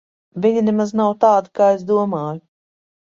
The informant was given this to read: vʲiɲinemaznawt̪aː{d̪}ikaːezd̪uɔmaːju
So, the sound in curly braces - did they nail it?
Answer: yes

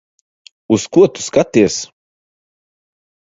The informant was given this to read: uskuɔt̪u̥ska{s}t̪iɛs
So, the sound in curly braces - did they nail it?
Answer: no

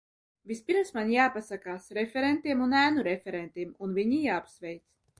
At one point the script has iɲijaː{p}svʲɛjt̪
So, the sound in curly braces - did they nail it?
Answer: yes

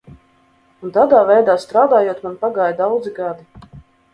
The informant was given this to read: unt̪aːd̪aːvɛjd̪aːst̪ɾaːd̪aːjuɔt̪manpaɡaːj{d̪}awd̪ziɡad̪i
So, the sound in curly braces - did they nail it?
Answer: yes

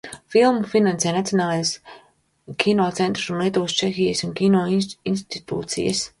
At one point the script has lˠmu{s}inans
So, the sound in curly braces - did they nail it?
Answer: no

